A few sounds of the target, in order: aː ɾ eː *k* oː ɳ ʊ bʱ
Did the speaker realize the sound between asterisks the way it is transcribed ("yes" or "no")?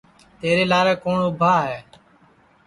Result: yes